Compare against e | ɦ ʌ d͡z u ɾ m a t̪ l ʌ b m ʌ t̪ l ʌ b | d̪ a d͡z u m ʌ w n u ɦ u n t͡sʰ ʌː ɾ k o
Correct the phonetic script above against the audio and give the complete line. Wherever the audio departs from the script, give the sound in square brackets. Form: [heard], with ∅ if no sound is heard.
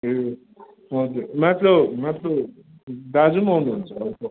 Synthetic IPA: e | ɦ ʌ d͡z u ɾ m a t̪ l ʌ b m [a] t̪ l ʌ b | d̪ a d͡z u m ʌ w n u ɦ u n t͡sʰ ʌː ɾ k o